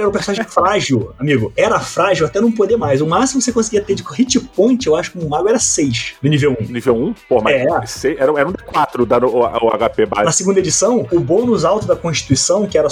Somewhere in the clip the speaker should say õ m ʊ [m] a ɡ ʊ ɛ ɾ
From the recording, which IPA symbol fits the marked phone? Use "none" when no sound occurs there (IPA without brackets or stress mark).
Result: m